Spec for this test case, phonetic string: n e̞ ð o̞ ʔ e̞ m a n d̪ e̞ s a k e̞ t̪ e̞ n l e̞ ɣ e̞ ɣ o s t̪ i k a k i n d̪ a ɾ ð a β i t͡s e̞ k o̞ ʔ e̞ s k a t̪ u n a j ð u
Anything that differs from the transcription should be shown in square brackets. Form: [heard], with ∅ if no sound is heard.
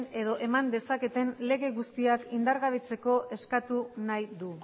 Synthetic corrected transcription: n e̞ ð o̞ ʔ e̞ m a n d̪ e̞ s a k e̞ t̪ e̞ n l e̞ ɣ e̞ ɣ [u] s t̪ i [∅] a k i n d̪ a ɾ [ɣ] a β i t͡s e̞ k o̞ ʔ e̞ s k a t̪ u n a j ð u